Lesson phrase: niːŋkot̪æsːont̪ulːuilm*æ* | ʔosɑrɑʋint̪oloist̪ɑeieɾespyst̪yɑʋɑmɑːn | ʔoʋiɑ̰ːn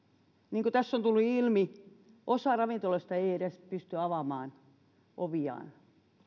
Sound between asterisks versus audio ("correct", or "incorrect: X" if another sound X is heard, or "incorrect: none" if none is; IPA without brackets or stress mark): incorrect: i